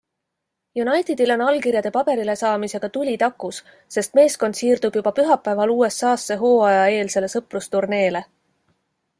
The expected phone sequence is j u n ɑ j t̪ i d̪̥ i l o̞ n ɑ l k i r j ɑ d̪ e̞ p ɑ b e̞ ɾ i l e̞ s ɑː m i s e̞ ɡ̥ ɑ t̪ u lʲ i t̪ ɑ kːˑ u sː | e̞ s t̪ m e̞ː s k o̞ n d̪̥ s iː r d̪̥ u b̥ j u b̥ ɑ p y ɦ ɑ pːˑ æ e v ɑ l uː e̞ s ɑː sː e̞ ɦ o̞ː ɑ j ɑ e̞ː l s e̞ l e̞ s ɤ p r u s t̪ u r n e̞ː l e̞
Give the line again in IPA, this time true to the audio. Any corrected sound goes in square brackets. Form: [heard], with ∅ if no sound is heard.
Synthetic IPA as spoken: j u n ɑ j t̪ i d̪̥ i l o̞ n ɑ l k i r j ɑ d̪ e̞ p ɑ b e̞ ɾ i l e̞ s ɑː m i s e̞ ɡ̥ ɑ t̪ u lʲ i t̪ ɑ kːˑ u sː | e̞ s t̪ m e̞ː s k o̞ n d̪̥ s iː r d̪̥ u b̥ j u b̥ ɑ p y ɦ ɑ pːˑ æ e v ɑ l uː e̞ s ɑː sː e̞ ɦ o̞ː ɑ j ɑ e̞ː l s e̞ l e̞ s ɤ p r u s t̪ u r n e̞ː l e̞